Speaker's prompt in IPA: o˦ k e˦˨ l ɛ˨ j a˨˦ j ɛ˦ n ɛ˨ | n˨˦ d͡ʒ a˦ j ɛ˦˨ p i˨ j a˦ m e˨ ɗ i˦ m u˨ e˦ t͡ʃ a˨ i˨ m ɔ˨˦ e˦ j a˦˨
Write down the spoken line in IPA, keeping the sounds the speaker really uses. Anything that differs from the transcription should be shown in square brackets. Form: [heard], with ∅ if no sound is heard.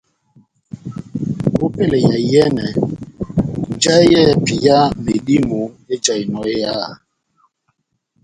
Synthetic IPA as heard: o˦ [p] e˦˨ l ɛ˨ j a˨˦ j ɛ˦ n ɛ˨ | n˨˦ d͡ʒ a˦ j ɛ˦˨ p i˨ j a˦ m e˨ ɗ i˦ m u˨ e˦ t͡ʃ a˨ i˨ [n] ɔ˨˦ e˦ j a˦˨